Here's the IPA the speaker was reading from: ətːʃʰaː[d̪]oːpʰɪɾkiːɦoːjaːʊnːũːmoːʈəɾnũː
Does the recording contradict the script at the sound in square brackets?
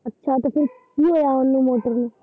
yes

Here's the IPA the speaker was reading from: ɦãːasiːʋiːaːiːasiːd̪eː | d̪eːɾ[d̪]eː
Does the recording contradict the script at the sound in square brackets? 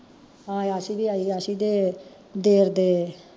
no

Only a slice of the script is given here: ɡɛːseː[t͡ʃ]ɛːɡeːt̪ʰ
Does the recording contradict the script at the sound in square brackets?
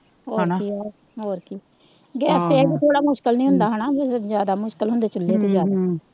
yes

